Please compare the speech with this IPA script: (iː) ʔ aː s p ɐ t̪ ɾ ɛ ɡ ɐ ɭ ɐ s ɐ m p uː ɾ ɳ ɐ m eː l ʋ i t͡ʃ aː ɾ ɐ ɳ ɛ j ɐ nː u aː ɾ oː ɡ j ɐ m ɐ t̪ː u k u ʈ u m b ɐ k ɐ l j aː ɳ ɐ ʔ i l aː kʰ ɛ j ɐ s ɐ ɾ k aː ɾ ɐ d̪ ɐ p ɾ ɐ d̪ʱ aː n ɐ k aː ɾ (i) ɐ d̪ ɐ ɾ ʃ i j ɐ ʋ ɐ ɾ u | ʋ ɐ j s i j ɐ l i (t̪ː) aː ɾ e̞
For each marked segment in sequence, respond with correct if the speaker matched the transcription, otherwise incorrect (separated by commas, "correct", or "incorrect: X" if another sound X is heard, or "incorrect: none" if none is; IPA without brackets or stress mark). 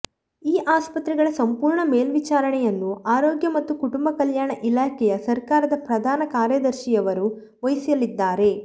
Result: correct, incorrect: j, incorrect: d̪ː